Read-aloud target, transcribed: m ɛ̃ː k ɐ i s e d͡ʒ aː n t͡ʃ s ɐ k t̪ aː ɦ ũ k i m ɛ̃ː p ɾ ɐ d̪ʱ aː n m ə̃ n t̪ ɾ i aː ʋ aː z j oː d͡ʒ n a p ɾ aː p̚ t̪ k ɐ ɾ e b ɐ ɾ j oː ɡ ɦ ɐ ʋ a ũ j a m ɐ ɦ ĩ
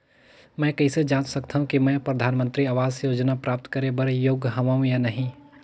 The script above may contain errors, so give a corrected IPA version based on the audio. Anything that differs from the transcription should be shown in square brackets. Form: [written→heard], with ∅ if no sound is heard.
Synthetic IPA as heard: m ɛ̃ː k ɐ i s e d͡ʒ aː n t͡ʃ s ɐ k t̪ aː ɦ ũ k i m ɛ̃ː p ɾ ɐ d̪ʱ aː n m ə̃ n t̪ ɾ i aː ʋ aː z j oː d͡ʒ n a p ɾ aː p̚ t̪ k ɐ ɾ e b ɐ ɾ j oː ɡ ɦ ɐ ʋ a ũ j a [m→n] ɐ ɦ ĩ